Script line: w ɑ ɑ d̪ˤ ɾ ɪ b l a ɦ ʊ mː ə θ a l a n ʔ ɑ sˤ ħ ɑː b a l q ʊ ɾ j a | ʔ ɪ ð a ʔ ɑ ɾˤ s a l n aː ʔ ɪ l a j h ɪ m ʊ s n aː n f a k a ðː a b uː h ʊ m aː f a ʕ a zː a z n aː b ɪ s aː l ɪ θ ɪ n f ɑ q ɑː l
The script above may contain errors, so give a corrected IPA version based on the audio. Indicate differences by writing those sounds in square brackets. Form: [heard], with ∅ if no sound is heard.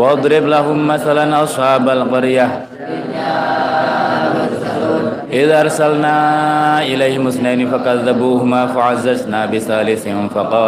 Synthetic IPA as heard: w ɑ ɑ d̪ˤ ɾ ɪ b l a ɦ ʊ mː [a] θ a l a n ʔ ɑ sˤ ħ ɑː b a l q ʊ ɾ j a | ʔ ɪ ð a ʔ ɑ ɾˤ s a l n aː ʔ ɪ l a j h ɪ m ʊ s n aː n f a k a ðː a b uː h ʊ m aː f a ʕ a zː a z n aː b ɪ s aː l ɪ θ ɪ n f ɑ q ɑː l